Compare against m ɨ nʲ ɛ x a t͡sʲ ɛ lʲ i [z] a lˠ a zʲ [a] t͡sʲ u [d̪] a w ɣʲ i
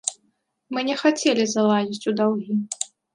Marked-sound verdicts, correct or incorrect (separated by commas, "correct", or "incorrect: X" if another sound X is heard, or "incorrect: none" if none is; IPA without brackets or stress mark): correct, incorrect: i, correct